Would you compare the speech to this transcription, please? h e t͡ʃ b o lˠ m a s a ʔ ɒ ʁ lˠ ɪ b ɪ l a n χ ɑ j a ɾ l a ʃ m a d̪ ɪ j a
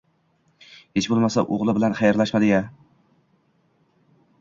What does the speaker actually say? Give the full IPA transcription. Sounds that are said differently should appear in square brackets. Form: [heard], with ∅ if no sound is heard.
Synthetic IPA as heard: h e t͡ʃ b o lˠ m a s a ʔ [o] ʁ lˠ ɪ b ɪ l a n χ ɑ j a ɾ l a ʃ m a d̪ ɪ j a